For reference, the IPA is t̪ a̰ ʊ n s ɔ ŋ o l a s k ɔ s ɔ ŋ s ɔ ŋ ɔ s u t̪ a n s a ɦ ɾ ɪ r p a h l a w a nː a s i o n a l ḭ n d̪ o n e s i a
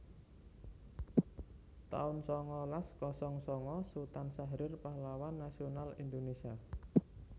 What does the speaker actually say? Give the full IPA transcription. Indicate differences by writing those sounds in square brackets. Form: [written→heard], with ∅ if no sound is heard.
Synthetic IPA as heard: t̪ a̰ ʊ n s ɔ ŋ [o→ɔ] l a s k ɔ s ɔ ŋ s ɔ ŋ ɔ s u t̪ a n s a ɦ ɾ ɪ r p a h l a w a nː a s i o n a l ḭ n d̪ o n e s i a